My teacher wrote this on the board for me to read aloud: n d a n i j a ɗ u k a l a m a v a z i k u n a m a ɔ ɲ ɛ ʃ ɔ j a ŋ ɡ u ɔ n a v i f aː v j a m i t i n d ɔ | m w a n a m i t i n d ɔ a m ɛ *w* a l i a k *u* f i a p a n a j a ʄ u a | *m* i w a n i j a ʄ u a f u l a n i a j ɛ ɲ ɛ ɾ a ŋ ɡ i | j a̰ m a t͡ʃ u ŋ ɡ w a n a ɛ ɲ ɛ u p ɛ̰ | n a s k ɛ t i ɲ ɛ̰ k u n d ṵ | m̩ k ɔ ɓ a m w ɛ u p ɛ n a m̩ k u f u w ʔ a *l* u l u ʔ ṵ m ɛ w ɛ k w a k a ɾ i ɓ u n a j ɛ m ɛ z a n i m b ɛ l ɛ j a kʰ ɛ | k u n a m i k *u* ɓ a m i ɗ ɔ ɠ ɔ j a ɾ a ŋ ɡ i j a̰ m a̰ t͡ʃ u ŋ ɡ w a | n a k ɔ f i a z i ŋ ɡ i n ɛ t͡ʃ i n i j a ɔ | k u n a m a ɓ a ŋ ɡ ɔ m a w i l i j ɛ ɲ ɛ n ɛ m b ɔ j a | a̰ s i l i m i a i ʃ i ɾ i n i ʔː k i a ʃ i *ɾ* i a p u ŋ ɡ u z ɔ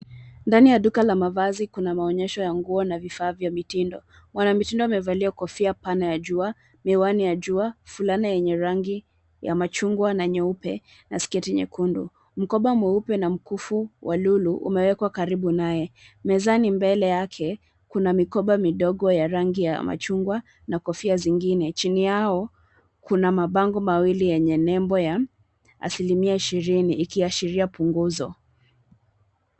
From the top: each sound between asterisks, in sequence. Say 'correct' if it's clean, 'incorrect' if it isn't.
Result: incorrect, incorrect, correct, correct, incorrect, correct

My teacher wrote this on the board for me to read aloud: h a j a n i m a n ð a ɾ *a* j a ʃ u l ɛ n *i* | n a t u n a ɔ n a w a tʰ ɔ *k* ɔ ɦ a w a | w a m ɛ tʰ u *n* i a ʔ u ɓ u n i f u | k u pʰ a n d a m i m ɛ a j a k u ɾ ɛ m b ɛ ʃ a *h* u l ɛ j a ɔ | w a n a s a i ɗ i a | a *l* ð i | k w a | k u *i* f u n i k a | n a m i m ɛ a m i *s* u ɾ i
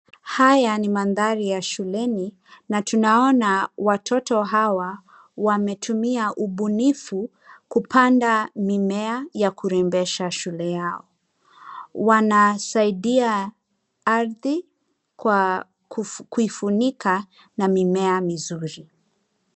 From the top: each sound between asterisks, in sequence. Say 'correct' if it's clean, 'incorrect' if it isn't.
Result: incorrect, correct, incorrect, incorrect, incorrect, incorrect, correct, incorrect

